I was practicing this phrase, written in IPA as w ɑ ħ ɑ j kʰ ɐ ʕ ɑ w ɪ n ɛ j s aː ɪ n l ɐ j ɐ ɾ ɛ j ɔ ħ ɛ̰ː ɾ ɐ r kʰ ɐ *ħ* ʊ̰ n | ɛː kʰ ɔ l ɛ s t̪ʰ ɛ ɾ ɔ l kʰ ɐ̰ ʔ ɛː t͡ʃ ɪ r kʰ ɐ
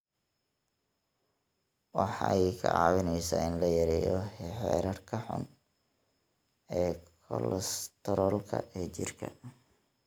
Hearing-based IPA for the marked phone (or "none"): ħ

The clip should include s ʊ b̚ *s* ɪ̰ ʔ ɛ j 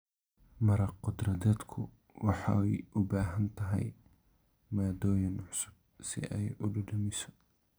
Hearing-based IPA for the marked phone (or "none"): s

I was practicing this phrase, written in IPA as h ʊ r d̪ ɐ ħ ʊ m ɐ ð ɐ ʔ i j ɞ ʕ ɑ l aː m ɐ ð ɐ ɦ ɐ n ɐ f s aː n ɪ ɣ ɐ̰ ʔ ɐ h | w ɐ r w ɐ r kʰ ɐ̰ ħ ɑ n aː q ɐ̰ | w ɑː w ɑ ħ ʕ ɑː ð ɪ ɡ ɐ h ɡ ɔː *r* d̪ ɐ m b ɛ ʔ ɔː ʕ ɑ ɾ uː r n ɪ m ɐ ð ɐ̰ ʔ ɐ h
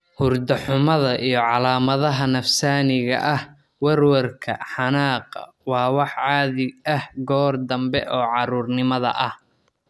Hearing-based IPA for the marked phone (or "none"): r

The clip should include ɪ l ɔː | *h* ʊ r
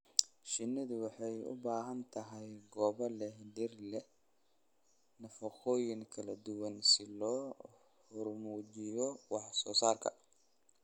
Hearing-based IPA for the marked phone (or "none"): h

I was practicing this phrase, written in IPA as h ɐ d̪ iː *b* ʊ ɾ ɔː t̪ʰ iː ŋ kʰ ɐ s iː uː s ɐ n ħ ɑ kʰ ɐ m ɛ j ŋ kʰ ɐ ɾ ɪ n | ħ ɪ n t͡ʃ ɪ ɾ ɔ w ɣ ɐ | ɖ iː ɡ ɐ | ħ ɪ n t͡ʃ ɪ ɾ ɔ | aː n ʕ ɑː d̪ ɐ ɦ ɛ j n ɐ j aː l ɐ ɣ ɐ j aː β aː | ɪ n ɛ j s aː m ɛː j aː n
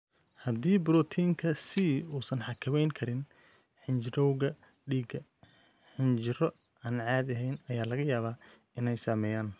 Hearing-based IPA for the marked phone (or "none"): b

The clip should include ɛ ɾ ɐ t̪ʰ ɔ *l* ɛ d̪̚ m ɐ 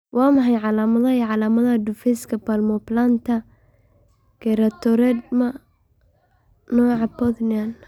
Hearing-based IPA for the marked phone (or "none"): ɾ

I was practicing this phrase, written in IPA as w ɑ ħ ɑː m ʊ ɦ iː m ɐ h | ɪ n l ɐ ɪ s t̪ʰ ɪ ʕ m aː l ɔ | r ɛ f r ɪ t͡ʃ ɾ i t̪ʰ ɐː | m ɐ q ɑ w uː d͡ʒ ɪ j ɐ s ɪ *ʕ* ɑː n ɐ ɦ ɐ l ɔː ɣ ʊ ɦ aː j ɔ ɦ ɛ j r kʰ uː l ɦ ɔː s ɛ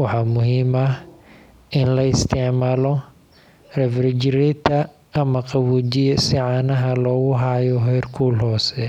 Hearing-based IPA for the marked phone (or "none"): ʕ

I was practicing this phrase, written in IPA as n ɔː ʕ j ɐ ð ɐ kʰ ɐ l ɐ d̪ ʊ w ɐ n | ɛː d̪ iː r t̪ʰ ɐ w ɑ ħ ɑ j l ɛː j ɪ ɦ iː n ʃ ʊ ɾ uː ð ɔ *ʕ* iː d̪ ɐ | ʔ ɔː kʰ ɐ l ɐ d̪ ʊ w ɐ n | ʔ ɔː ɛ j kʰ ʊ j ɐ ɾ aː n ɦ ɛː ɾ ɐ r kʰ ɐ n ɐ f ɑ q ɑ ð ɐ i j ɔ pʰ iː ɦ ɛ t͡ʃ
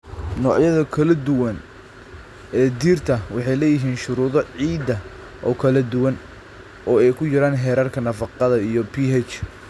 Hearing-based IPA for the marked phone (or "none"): ʕ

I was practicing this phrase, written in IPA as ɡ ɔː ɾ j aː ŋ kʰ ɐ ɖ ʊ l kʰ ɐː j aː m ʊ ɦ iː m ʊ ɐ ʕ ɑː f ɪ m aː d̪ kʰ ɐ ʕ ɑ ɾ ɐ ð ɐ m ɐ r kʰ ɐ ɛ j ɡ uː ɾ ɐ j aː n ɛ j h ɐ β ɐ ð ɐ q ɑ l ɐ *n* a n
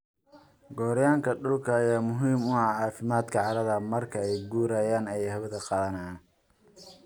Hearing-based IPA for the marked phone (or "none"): n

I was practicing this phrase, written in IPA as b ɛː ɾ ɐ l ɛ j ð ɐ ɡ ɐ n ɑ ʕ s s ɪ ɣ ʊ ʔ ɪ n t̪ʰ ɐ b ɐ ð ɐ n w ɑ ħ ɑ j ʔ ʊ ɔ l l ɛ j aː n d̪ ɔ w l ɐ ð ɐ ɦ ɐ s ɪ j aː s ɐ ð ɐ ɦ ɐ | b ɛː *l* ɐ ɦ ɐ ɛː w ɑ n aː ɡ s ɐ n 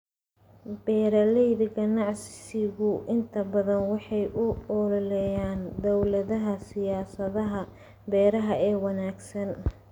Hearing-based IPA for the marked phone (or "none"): ɾ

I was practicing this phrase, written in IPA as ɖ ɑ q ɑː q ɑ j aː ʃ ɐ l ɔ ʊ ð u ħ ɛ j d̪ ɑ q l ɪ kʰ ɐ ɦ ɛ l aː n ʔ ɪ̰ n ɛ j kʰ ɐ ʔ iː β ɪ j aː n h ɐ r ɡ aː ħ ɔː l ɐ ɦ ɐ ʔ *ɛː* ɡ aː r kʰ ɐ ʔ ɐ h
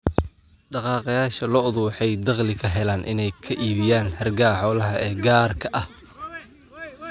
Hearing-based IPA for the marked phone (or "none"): ɛː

